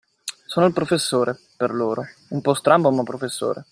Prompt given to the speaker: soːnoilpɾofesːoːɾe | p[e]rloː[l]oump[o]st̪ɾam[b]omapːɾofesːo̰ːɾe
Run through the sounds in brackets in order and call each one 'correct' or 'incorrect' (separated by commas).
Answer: correct, incorrect, incorrect, correct